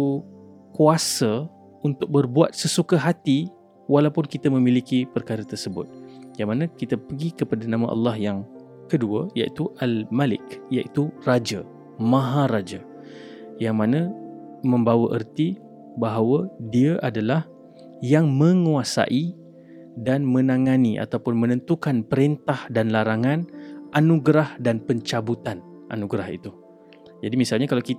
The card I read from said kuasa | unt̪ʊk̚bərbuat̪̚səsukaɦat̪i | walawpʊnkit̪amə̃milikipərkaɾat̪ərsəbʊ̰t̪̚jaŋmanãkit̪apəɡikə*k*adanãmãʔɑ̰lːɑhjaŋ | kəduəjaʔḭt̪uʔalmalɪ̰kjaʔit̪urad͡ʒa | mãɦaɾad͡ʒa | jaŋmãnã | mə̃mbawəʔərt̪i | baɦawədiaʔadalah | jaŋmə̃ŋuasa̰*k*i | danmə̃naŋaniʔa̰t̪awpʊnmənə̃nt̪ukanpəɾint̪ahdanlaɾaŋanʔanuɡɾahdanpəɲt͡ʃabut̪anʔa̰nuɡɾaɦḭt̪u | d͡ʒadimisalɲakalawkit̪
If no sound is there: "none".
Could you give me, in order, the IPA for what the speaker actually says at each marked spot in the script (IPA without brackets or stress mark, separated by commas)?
p, ʔ